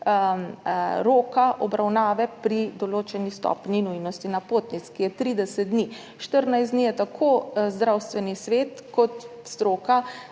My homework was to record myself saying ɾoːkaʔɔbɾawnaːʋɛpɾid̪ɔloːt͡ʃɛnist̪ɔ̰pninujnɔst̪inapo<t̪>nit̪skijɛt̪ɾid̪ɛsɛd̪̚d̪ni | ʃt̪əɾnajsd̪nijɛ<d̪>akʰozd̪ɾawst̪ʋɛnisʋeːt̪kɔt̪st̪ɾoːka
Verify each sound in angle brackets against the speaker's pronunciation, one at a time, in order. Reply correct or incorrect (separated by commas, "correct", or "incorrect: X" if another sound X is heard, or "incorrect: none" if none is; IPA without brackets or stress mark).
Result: correct, incorrect: t̪